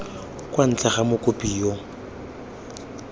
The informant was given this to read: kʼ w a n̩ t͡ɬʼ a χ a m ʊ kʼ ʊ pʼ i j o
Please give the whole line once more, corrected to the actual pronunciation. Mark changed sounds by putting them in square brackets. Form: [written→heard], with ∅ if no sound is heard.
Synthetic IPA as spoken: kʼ w a n̩ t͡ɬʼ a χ a m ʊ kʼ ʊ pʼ i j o